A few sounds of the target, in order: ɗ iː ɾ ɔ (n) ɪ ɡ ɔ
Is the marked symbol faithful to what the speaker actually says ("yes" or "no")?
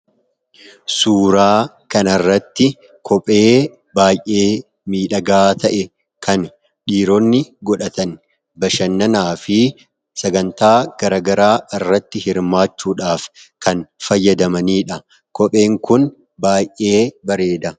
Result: no